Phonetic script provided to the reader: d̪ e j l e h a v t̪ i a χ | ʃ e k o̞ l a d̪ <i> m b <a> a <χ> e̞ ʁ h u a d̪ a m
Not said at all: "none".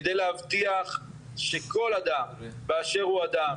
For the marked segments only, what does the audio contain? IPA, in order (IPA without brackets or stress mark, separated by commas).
a, e, ʃ